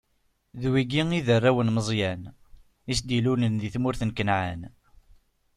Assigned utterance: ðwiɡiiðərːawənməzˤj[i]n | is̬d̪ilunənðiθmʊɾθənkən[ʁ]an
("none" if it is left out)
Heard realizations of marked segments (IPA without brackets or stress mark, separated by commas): æ, ʕ